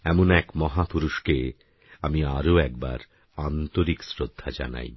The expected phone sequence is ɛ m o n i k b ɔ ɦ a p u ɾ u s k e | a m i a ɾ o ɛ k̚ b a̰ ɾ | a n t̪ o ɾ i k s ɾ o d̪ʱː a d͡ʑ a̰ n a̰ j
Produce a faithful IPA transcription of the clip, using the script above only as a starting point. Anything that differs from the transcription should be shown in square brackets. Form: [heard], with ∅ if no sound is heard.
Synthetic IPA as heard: ɛ m o n [ɛ] k [m] ɔ ɦ a p u ɾ u [ʃ] k e | a m i a ɾ o ɛ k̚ b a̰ ɾ | a n t̪ o ɾ i k s ɾ o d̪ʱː a d͡ʑ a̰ n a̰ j